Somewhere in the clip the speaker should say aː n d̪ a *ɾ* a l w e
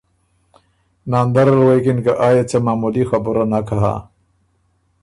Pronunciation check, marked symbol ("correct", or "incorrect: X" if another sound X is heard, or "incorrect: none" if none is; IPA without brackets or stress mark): correct